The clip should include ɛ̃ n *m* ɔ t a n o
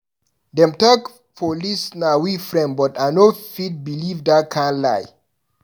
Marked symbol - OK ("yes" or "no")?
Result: no